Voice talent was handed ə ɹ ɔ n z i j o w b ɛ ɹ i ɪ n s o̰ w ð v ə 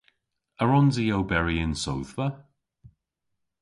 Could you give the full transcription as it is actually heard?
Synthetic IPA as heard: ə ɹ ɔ n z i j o w b ɛ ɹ i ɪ n s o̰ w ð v ə